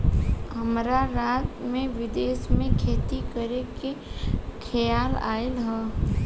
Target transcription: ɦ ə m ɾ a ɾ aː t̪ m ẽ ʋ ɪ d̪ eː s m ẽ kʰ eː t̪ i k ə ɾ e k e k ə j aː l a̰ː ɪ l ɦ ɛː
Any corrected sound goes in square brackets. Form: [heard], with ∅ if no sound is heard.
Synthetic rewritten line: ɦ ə m ɾ a ɾ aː t̪ m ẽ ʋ ɪ d̪ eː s m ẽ kʰ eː t̪ i k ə ɾ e k e [kʰ] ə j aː l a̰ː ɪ l ɦ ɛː